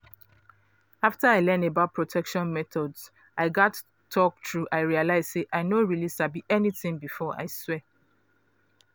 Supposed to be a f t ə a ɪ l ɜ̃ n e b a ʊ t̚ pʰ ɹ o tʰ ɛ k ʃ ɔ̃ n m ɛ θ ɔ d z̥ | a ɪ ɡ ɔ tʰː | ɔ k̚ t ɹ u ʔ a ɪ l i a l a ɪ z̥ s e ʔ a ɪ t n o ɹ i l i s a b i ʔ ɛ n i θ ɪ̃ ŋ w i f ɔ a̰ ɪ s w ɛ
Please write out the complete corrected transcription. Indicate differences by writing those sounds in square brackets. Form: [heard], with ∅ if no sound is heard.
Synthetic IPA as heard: a f t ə a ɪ l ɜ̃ n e b a ʊ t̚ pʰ ɹ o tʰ ɛ k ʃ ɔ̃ n m ɛ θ ɔ d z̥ | a ɪ ɡ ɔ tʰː | ɔ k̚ t ɹ u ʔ a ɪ [ɹ] i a l a ɪ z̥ s e ʔ a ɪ [∅] n o ɹ i l i s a b i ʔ ɛ n i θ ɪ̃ ŋ [b] i f ɔ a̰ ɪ s w ɛ